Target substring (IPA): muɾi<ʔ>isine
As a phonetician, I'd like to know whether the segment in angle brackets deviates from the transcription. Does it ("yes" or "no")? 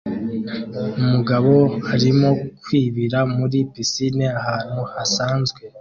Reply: yes